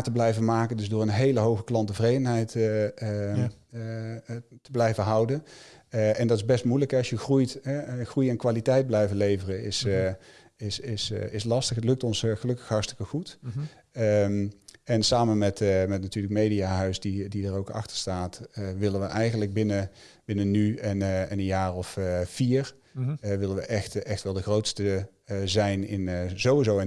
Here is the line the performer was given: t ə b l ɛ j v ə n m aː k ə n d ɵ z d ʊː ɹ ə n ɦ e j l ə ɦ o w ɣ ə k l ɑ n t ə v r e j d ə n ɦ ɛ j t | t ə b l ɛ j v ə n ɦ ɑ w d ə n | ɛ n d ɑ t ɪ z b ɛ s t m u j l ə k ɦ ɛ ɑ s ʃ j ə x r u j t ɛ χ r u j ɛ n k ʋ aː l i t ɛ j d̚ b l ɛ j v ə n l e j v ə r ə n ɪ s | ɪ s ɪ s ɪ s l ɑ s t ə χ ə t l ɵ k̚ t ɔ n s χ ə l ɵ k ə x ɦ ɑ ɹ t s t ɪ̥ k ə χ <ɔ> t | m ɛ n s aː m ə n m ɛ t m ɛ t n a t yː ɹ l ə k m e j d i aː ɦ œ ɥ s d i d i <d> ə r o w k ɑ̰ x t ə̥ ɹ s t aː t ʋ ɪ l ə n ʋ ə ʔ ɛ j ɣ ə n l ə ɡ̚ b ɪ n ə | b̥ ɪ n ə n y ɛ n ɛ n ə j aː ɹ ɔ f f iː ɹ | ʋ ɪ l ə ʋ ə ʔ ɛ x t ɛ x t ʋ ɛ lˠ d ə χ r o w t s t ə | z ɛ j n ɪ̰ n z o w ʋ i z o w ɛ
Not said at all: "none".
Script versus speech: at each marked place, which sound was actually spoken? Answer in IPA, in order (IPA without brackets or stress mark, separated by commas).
u, d